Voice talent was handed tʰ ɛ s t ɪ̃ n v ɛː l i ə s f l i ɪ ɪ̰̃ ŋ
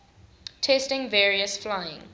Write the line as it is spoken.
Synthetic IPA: tʰ ɛ s t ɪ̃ ŋ v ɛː ɹ i ə s f l a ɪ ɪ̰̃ ŋ